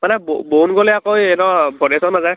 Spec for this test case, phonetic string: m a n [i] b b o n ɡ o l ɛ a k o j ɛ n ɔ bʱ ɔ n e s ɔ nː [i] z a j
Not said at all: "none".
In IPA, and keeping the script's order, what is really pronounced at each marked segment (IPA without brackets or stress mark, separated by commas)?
ɛ, a